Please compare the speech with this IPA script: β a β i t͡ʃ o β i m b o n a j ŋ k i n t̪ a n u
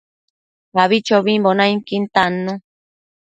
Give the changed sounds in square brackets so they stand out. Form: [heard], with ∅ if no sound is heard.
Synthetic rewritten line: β a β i t͡ʃ o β i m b o n a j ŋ k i n t̪ a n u